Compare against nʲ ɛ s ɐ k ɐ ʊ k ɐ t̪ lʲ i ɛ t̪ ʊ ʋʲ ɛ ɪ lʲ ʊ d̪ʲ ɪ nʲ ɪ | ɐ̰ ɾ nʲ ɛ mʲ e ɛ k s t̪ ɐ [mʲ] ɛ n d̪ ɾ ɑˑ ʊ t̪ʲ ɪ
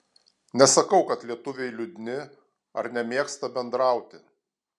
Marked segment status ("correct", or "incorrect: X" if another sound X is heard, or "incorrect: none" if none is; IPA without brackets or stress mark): incorrect: bʲ